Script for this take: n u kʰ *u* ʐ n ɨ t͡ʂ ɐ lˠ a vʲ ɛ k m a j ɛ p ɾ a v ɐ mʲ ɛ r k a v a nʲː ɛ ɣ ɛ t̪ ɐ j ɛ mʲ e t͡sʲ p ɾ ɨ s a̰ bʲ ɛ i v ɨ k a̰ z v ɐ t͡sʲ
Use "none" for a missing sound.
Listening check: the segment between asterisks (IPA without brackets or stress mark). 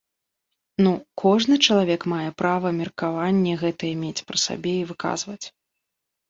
ɔ